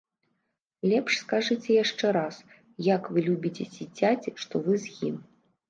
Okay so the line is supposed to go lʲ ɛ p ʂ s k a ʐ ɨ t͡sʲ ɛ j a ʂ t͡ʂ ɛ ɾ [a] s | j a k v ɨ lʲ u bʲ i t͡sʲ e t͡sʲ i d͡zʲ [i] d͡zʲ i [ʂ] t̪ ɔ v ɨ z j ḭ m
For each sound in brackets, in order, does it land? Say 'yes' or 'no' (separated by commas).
yes, no, yes